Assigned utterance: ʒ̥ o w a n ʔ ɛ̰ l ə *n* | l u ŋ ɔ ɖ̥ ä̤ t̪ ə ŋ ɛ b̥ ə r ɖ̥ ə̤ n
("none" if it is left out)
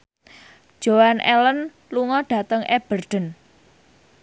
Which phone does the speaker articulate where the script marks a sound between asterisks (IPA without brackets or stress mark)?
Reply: n